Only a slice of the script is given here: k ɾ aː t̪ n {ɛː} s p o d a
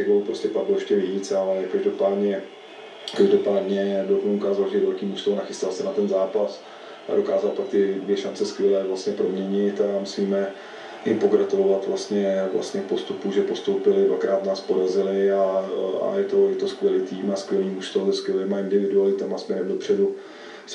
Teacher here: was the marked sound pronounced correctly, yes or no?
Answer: no